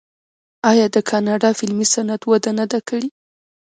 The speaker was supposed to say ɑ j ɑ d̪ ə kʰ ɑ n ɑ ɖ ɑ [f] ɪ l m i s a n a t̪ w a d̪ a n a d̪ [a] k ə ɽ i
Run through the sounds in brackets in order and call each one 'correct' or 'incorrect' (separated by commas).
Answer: correct, correct